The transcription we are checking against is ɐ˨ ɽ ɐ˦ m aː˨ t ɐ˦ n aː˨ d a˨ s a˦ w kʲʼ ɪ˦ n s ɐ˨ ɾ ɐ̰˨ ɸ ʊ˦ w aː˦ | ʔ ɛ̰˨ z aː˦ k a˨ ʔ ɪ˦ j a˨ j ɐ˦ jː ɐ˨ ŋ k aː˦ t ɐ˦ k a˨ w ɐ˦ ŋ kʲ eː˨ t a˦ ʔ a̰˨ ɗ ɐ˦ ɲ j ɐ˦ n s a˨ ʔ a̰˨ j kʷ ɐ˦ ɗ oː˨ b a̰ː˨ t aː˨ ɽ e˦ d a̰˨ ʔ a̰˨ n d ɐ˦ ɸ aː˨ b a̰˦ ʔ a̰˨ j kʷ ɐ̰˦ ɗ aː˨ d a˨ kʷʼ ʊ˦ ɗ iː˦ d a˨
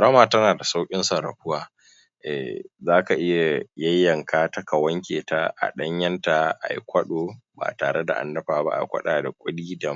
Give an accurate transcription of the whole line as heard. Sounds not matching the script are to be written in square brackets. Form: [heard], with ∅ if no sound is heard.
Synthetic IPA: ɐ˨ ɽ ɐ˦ m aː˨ t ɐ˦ n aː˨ d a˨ s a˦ w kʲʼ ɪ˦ n s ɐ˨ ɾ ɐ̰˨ ɸ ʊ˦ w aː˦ | ʔ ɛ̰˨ z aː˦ k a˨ ʔ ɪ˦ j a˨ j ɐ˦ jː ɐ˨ ŋ k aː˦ t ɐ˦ k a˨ w ɐ˦ ŋ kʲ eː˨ t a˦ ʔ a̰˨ ɗ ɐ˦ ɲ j ɐ˦ n [t] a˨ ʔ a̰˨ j kʷ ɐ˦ ɗ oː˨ b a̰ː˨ t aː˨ ɽ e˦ d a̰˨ ʔ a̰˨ n d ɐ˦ ɸ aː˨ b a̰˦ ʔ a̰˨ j kʷ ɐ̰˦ ɗ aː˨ d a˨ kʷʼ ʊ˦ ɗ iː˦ d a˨